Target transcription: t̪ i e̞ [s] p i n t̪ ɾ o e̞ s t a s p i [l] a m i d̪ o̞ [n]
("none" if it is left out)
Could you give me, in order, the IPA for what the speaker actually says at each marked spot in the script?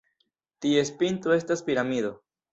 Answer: s, ɾ, none

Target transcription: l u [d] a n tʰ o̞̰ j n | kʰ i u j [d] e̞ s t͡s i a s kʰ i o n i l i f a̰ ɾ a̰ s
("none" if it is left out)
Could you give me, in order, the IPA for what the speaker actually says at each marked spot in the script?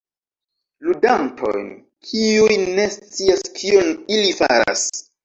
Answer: d, n

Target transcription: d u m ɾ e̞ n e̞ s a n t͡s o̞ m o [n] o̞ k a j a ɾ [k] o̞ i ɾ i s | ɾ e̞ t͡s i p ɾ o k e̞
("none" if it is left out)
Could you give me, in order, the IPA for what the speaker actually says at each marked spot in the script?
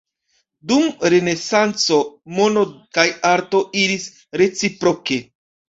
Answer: n, t

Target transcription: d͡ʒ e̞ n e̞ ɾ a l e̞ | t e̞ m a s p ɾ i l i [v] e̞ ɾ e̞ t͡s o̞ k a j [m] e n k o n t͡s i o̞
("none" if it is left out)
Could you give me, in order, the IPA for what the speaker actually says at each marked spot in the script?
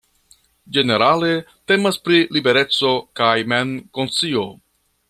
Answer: b, m

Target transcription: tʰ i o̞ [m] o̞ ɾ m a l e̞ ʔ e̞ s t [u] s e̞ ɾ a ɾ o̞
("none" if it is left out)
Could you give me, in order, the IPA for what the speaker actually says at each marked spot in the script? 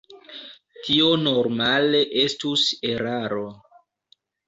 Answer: n, u

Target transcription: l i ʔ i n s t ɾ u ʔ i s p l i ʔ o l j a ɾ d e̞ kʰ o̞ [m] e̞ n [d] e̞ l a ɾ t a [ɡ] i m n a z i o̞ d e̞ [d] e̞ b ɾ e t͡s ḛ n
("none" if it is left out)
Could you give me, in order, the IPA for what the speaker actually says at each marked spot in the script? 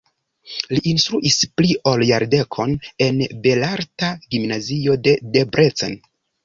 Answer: n, b, ɡ, d

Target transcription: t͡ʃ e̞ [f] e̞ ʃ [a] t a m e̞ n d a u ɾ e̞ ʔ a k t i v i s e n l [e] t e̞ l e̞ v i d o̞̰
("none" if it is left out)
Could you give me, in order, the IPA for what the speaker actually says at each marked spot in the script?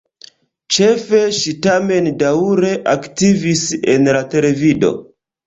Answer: f, i, a

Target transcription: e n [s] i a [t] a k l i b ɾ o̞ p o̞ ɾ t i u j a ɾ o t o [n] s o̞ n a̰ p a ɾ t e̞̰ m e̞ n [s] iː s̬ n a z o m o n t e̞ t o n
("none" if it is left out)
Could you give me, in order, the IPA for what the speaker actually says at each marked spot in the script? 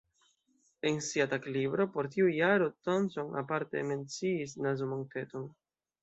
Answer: s, t, n, t͡s

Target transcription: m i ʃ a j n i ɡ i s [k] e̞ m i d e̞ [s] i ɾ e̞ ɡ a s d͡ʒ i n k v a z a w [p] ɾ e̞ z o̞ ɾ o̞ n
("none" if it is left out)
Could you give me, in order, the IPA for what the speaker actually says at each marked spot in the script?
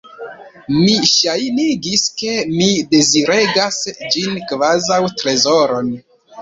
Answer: k, z, t

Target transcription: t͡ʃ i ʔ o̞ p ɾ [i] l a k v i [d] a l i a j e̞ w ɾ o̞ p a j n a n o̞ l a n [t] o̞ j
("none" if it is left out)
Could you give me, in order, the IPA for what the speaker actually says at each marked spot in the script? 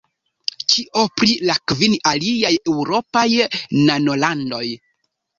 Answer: i, n, d

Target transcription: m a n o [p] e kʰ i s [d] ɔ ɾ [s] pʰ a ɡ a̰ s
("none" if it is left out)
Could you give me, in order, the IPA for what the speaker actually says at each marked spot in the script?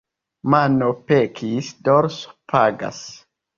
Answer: p, d, s

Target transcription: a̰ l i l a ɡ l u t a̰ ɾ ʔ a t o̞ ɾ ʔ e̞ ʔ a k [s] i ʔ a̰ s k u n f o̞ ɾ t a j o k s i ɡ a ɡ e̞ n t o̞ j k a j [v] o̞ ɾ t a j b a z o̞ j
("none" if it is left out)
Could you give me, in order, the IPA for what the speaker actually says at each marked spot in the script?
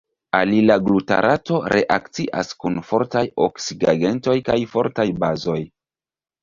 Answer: t͡s, f

